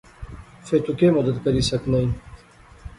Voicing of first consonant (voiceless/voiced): voiceless